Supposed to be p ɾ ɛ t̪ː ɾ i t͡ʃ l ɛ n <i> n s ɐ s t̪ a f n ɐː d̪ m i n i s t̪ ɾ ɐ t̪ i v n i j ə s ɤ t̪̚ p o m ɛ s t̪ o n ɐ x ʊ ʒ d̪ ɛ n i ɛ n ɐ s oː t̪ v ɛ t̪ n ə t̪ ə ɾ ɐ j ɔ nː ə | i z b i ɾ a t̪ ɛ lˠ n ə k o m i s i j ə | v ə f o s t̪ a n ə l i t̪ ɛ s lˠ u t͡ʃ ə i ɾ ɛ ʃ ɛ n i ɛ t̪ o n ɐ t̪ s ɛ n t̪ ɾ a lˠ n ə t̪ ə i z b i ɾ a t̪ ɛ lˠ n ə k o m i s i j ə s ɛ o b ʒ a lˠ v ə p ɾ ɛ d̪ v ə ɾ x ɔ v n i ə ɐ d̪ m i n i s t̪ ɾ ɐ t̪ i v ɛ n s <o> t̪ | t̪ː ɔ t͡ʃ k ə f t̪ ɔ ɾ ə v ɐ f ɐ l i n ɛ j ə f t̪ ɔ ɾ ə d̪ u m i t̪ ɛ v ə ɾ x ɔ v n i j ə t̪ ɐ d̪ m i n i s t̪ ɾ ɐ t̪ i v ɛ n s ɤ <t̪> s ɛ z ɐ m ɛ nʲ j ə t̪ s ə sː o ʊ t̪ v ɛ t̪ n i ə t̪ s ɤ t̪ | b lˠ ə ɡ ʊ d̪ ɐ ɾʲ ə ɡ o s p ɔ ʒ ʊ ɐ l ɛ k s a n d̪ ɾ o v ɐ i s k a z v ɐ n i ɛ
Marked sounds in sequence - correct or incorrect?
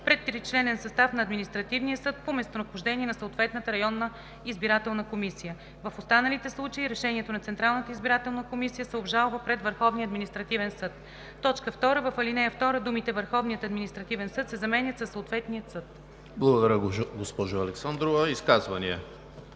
incorrect, incorrect, correct

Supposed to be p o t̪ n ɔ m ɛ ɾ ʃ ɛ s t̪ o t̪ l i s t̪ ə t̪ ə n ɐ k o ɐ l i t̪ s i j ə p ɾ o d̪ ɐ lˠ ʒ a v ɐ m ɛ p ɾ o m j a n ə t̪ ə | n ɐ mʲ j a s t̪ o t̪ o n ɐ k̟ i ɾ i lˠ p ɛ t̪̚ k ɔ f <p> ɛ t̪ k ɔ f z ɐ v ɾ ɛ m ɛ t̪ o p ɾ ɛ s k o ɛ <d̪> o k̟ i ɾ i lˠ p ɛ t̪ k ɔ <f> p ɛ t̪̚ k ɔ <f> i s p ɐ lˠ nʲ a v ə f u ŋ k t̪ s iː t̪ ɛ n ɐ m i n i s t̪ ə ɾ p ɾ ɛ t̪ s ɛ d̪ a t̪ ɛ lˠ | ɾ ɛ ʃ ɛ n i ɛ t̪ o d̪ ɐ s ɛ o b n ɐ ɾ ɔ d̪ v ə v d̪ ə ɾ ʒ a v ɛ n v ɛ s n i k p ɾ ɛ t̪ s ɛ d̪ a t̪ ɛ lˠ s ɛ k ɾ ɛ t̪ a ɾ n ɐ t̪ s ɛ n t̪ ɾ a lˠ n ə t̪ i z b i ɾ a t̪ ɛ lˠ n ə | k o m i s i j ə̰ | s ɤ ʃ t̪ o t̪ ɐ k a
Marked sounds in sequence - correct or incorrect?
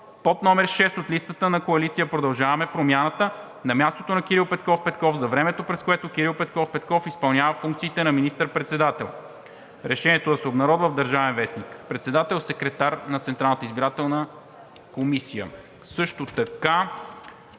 correct, incorrect, correct, correct

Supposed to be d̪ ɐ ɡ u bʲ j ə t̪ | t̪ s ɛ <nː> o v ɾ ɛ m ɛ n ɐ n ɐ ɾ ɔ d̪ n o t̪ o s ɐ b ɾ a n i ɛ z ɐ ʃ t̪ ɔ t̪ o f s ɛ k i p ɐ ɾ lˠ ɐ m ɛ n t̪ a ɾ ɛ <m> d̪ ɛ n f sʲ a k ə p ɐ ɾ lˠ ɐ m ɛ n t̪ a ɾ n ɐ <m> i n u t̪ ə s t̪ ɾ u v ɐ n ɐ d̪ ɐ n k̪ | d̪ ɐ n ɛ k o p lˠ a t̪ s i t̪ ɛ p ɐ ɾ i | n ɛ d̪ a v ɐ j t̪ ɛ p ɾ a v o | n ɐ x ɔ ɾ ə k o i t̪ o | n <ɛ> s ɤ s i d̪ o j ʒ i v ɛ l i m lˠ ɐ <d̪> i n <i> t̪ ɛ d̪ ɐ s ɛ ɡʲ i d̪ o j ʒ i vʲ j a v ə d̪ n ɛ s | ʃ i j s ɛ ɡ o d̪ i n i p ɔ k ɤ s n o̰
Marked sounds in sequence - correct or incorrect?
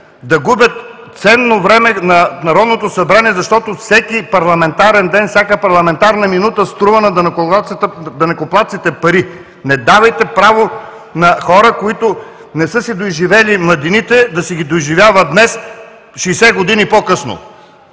correct, incorrect, correct, correct, correct, correct

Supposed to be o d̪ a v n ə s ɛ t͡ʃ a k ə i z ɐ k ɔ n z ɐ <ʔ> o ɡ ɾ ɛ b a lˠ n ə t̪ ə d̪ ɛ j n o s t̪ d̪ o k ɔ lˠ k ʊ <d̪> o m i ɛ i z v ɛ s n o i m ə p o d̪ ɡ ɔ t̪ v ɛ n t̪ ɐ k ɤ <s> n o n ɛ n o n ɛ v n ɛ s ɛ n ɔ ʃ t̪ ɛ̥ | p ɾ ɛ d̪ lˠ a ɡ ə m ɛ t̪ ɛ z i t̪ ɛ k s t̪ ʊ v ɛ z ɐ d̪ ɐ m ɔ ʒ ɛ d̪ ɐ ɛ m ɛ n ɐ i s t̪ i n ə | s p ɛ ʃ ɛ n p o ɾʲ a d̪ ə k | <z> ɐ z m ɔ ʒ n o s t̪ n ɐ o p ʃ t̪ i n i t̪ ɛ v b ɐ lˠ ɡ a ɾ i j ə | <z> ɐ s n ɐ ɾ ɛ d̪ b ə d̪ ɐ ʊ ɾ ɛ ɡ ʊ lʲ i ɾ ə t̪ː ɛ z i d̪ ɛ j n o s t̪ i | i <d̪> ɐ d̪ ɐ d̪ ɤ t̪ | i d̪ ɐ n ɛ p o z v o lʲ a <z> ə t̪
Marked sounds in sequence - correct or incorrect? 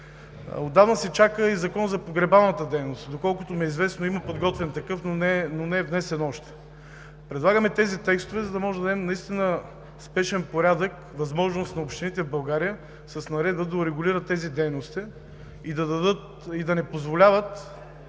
incorrect, incorrect, incorrect, incorrect, incorrect, correct, incorrect

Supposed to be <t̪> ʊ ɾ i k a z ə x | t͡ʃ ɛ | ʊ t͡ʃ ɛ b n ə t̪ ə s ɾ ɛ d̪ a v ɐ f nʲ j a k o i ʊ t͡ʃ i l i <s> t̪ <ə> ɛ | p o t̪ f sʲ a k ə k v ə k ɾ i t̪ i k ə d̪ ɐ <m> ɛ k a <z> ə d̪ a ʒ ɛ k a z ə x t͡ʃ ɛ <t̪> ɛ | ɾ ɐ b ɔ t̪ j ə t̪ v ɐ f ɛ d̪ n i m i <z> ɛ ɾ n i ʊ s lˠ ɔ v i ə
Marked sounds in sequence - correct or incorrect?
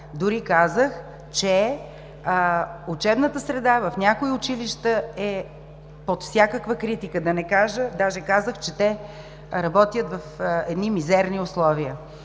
incorrect, incorrect, correct, incorrect, incorrect, correct, correct

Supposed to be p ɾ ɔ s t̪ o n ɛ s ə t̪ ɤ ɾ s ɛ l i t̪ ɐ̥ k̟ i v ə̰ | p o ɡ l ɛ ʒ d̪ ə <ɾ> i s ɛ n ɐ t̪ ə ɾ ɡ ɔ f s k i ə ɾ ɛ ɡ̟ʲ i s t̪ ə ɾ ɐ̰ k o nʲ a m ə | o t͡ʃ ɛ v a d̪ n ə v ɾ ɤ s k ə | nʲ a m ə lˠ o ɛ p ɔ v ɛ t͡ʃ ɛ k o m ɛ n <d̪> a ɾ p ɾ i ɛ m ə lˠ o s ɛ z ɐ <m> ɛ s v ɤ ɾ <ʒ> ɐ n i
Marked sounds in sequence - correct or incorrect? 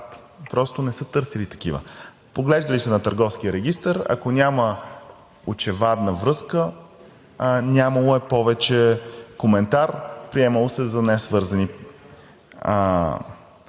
incorrect, incorrect, incorrect, incorrect

